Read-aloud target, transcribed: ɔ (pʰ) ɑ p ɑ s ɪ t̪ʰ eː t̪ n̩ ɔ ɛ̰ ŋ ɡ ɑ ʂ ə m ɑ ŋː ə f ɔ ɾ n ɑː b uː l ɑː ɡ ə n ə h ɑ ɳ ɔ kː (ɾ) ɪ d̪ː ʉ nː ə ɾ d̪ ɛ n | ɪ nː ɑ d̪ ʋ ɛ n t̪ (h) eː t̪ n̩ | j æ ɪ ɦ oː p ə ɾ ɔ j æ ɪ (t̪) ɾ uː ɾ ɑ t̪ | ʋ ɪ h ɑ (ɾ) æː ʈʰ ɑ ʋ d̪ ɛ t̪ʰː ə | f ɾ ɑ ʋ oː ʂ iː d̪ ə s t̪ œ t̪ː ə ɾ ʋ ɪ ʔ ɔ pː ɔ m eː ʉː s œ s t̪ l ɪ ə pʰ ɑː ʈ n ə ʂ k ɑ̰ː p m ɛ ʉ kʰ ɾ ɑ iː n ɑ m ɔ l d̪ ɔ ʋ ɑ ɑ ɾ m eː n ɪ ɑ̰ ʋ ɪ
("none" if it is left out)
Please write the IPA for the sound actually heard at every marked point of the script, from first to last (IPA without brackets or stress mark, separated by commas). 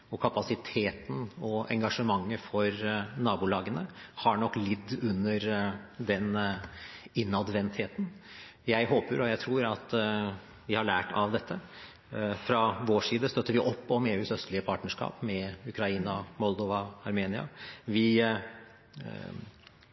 kʰ, l, h, t̪ʰ, ɭ